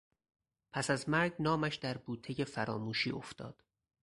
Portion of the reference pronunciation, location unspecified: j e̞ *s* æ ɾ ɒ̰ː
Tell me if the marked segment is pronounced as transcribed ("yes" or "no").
no